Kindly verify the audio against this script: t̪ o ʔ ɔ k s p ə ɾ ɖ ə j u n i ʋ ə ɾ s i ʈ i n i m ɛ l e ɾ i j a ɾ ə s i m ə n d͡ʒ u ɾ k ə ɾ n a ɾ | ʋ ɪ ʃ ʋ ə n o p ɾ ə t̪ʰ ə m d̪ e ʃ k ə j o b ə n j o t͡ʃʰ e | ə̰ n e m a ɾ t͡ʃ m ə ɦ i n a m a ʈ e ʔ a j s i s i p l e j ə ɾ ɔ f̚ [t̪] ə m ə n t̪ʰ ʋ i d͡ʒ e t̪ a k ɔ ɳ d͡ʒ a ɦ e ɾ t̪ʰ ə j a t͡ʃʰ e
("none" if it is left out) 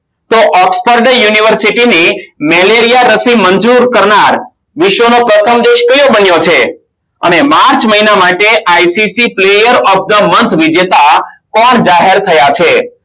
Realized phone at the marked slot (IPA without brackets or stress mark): d̪